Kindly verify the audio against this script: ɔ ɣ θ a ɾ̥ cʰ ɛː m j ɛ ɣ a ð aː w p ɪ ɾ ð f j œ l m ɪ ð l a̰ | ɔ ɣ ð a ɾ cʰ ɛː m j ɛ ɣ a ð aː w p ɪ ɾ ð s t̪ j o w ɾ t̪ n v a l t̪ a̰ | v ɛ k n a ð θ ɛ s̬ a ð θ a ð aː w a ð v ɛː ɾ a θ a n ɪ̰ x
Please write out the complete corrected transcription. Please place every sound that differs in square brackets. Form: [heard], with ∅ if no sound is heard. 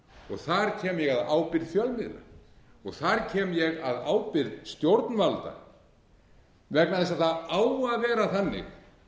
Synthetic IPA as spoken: ɔ ɣ θ a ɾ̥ cʰ ɛː m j ɛ ɣ a ð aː w p ɪ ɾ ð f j œ l m ɪ ð l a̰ | ɔ ɣ [θ] a ɾ cʰ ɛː m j ɛ ɣ a ð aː w p ɪ ɾ ð s t̪ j o w ɾ t̪ n v a l t̪ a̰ | v ɛ k n a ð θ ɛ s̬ a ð θ a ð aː w a ð v ɛː ɾ a θ a [nː] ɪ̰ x

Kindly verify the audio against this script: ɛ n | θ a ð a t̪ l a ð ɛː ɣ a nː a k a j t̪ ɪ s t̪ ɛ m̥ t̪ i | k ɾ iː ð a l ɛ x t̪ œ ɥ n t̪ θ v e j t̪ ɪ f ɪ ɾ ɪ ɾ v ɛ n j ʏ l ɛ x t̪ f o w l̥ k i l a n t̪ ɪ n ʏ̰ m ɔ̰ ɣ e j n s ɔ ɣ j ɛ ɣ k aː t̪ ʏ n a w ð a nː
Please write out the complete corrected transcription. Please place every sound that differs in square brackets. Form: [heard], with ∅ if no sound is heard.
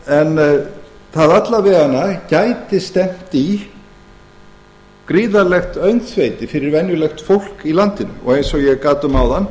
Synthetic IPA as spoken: ɛ n | θ a ð a t̪ l a [v] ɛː ɣ a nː a [c] a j t̪ ɪ s t̪ ɛ m̥ t̪ i | k ɾ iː ð a l ɛ x t̪ œ ɥ n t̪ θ v e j t̪ ɪ f ɪ ɾ ɪ ɾ v ɛ n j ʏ l ɛ x t̪ f o w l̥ k i l a n t̪ ɪ n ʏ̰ m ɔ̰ ɣ e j n s ɔ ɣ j ɛ ɣ k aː t̪ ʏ [m] a w ð a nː

